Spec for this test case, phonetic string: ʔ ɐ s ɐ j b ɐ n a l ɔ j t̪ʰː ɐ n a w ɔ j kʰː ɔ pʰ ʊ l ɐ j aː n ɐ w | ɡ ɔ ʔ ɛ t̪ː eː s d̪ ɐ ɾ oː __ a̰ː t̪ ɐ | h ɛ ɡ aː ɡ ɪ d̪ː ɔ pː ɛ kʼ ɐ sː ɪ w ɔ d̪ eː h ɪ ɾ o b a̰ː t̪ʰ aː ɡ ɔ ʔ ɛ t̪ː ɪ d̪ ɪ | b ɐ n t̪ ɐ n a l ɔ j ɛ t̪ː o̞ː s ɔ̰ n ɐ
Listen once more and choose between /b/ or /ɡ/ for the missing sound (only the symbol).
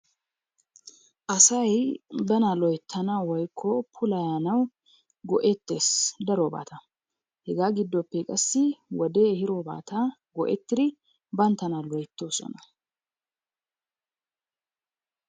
b